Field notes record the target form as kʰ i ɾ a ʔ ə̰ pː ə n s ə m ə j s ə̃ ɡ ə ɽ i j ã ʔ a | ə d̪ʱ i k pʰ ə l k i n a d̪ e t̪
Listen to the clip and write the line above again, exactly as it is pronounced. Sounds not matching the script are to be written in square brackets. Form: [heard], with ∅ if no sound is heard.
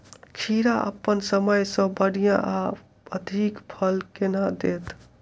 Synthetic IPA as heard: kʰ i ɾ a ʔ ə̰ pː ə n s ə m ə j s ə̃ [b] ə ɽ i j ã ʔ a | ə d̪ʱ i k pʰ ə l k [e] n a d̪ e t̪